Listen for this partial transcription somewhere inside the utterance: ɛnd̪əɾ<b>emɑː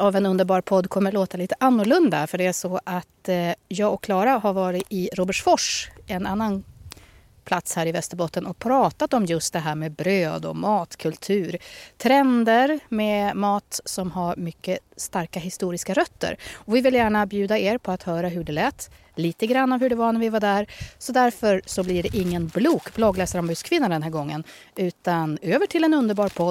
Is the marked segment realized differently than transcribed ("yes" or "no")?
yes